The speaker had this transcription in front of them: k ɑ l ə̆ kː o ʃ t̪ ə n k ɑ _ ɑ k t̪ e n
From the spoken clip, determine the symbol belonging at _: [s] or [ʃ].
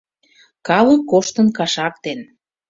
ʃ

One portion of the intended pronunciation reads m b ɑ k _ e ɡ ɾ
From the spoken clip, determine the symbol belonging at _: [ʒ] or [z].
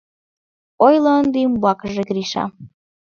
ʒ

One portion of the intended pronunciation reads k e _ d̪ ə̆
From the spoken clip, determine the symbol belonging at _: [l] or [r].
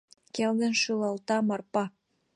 l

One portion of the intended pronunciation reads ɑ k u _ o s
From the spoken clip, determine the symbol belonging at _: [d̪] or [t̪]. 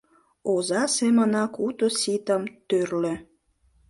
t̪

